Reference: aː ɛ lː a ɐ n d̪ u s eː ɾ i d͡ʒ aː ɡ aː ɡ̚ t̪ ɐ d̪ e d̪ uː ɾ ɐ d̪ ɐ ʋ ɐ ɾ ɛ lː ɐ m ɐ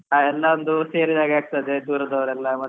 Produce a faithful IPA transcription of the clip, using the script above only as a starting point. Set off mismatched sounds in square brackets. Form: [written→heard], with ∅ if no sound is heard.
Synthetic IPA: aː ɛ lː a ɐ n d̪ u s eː ɾ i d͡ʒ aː ɡ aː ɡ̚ t̪ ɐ d̪ e d̪ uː ɾ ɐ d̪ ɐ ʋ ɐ ɾ ɛ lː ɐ m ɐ